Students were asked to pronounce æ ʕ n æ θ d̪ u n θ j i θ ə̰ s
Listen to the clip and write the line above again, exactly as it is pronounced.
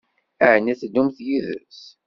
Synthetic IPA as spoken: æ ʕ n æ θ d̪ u m θ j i ð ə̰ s